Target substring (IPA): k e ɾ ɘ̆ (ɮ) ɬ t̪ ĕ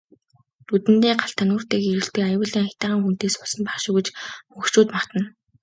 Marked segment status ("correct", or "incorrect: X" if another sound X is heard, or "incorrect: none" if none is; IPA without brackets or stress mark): incorrect: none